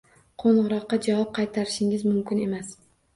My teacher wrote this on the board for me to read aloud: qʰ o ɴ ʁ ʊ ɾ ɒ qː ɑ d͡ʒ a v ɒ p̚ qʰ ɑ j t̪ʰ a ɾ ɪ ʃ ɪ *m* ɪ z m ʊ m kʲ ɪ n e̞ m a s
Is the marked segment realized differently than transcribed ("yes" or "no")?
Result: yes